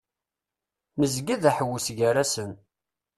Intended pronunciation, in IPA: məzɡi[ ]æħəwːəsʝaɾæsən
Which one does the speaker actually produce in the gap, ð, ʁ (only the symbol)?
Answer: ð